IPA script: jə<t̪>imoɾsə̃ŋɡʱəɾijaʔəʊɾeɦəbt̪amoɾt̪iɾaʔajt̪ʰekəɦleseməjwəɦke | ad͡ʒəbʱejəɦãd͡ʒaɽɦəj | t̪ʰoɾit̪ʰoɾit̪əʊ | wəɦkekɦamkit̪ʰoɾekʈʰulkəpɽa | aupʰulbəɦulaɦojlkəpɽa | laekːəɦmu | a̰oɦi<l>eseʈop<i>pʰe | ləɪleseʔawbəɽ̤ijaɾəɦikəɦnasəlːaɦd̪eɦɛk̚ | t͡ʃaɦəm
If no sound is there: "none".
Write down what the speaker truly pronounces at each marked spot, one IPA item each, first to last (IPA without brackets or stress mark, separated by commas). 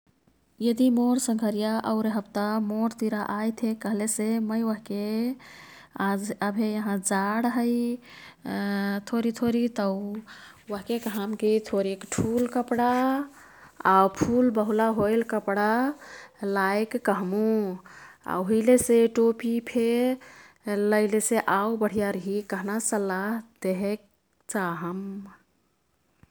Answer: d̪, l, i